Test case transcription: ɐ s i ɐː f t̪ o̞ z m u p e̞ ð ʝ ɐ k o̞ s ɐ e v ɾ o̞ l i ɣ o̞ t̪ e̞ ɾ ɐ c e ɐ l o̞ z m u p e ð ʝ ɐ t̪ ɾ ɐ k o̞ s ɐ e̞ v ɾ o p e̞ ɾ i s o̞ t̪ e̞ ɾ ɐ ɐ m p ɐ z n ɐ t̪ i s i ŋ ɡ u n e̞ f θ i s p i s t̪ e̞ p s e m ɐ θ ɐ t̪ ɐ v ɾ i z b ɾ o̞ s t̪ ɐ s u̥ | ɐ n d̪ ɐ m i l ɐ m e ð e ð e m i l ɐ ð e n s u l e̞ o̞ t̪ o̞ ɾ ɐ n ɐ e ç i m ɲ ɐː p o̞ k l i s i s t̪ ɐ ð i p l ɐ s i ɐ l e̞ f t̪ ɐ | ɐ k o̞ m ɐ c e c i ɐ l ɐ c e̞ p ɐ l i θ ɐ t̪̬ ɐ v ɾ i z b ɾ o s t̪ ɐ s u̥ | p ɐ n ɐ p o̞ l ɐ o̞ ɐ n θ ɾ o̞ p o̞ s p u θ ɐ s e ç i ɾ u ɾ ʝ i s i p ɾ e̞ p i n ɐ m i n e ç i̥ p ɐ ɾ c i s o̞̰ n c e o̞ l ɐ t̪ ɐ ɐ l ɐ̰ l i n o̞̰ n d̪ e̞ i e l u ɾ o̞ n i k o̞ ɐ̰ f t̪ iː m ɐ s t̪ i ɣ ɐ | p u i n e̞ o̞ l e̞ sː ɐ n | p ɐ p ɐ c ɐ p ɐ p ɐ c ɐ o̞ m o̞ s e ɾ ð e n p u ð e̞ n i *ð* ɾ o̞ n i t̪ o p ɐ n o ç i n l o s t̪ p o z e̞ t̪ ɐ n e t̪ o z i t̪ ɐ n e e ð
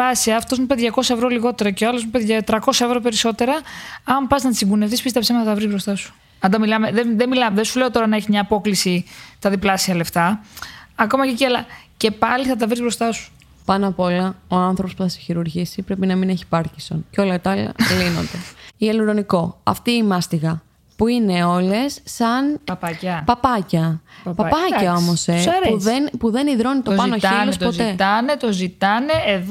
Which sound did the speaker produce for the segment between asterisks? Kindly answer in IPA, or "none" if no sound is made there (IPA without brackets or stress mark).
ð